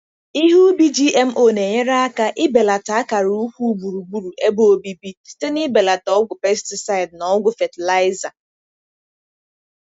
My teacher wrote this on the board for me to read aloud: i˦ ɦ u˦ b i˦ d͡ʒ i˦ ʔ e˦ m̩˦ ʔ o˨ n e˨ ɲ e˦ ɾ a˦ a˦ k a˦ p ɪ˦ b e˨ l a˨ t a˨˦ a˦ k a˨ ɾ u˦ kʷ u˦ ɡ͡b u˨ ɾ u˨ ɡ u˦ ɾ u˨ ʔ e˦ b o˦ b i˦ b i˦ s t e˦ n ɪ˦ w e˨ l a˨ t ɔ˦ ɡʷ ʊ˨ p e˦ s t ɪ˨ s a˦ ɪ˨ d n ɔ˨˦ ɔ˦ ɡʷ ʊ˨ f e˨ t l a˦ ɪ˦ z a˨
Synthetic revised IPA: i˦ ɦ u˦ b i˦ d͡ʒ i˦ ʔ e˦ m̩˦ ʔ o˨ n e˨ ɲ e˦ ɾ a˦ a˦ k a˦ ʔ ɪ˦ b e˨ l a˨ t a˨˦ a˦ k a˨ ɾ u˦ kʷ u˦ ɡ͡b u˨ ɾ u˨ ɡ͡b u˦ ɾ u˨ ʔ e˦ b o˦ b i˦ b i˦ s t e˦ n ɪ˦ b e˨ l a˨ t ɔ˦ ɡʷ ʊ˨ p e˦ s t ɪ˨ s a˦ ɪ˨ d n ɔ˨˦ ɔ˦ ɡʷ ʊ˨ f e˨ t l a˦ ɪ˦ z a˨